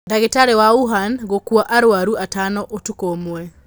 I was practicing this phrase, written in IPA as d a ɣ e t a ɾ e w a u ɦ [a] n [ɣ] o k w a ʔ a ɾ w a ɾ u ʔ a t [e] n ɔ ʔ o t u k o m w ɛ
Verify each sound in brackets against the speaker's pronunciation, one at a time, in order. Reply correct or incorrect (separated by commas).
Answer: correct, correct, incorrect